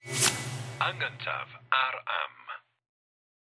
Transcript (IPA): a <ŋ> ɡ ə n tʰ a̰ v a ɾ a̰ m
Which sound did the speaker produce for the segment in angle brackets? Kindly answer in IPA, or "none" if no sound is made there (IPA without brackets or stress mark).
ŋ